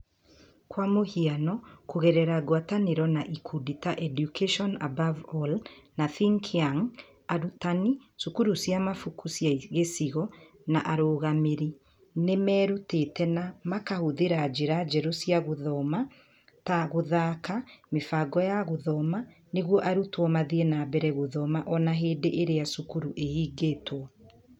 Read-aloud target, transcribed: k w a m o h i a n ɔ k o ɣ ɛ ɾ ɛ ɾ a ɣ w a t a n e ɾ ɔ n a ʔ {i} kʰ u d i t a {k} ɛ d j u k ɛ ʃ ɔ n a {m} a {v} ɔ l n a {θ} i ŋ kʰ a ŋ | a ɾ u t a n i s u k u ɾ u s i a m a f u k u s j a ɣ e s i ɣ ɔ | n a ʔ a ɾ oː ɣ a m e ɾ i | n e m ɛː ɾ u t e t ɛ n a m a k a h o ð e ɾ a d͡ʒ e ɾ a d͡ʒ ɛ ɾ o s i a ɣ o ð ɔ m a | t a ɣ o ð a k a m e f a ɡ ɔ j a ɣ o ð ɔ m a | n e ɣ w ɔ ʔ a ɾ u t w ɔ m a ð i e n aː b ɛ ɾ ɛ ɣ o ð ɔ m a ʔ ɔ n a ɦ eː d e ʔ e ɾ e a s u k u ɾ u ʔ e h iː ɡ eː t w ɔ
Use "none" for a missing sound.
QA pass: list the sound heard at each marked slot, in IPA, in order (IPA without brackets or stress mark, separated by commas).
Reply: i, ʔ, b, v, θ